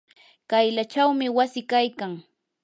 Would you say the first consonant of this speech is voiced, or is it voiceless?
voiceless